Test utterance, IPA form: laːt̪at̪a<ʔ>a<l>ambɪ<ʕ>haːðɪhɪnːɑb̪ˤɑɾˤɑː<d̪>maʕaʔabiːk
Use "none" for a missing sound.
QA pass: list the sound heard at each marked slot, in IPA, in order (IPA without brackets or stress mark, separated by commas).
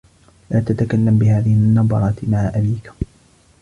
k, lː, none, t̪